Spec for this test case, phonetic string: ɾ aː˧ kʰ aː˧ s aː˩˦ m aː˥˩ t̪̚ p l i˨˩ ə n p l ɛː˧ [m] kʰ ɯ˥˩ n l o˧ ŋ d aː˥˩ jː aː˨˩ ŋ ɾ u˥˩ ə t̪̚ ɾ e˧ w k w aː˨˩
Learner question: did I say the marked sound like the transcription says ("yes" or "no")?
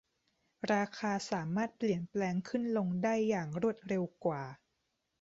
no